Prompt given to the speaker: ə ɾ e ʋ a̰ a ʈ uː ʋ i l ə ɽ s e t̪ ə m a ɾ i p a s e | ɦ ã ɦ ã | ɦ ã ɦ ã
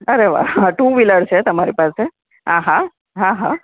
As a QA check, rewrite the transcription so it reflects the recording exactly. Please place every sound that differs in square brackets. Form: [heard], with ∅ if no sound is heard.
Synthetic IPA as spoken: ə ɾ e ʋ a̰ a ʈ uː ʋ i l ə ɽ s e t̪ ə m a ɾ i p a s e | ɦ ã ɦ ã | ɦ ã ɦ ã